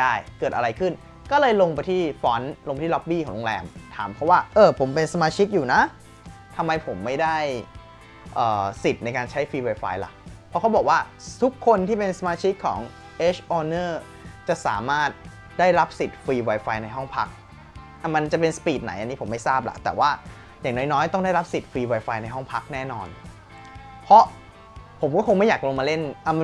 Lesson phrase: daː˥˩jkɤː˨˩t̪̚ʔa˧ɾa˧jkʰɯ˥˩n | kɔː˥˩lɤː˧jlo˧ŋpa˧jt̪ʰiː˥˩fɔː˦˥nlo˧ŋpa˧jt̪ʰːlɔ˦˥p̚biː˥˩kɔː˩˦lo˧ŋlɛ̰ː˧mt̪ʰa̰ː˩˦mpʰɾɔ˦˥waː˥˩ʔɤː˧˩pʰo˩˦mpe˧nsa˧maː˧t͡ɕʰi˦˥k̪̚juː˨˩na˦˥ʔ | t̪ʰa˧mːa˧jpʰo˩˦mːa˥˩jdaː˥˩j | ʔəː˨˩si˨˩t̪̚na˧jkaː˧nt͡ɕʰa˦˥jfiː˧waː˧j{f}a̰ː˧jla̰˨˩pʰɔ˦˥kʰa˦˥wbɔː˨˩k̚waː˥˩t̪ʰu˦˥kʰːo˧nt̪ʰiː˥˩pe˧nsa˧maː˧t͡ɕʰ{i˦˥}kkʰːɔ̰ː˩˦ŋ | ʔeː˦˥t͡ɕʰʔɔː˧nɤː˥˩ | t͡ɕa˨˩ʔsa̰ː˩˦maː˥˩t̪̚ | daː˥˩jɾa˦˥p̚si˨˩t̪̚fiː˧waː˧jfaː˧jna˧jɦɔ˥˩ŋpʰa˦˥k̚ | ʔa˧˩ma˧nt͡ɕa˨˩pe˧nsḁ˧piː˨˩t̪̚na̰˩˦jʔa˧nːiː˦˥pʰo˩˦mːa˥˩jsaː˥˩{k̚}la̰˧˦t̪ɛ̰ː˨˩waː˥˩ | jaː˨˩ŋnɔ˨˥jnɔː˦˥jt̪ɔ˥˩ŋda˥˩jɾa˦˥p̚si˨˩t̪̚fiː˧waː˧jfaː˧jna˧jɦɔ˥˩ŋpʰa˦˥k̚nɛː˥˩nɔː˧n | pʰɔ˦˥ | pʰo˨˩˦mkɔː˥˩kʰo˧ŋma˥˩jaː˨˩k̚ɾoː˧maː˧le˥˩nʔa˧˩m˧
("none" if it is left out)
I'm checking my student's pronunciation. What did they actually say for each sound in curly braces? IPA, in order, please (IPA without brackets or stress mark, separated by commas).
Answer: f, i˦˥, p̚